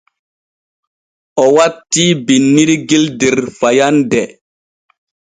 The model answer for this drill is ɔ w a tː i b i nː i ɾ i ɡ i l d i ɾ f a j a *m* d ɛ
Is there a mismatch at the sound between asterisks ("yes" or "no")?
yes